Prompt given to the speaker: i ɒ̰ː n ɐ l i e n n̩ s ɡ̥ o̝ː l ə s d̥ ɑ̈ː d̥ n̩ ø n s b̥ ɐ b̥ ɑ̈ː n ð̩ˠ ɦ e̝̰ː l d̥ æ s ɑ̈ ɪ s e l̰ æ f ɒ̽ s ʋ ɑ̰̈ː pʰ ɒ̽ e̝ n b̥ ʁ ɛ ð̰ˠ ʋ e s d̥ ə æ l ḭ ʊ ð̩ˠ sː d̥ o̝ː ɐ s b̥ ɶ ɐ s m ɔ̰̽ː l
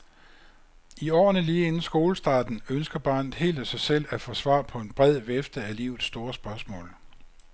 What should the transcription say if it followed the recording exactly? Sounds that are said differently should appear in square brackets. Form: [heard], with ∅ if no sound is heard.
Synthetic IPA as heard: i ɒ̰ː n [ə] l [iː] e n n̩ s ɡ̥ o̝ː l ə s d̥ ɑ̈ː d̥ n̩ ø n s [ɡ̥] ɐ b̥ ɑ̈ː n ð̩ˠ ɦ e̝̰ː l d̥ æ s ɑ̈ ɪ s e l̰ æ f ɒ̽ s ʋ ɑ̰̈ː pʰ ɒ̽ e̝ n b̥ ʁ ɛ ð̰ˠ ʋ e [f] d̥ ə æ l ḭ ʊ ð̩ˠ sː d̥ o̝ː ɐ s b̥ ɶ ɐ s m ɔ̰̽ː l